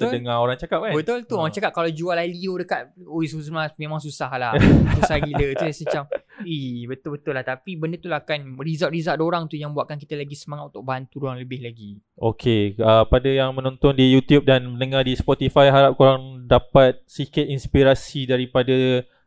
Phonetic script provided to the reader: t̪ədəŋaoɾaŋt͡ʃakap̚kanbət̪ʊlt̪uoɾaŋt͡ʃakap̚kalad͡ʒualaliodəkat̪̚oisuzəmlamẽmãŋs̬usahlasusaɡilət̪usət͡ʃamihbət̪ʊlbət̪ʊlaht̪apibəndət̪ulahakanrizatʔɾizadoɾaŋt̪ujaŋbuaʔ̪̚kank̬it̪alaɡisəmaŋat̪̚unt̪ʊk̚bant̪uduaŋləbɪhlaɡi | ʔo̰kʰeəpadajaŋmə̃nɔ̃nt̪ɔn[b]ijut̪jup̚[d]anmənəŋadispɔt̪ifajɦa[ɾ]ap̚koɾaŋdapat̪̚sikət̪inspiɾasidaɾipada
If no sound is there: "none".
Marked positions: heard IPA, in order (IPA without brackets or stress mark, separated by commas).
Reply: d, d, ɾ